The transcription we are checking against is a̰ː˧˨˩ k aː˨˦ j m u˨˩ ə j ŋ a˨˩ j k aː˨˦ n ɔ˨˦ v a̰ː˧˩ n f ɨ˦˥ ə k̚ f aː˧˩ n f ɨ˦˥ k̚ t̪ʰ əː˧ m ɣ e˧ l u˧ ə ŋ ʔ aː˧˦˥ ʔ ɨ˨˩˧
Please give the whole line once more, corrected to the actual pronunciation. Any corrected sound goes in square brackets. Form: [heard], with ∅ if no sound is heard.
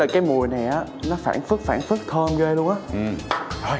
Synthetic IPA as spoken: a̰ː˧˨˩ k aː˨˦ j m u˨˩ ə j [n] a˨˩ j [ʔ] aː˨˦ n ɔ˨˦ [f] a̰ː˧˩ n f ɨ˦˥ ə k̚ f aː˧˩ n f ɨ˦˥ k̚ t̪ʰ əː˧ m ɣ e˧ l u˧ ə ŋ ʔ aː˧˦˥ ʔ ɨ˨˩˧